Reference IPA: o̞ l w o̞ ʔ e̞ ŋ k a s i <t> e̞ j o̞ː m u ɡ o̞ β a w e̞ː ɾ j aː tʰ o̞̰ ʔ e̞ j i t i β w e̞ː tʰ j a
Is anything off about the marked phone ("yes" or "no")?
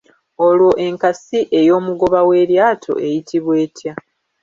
yes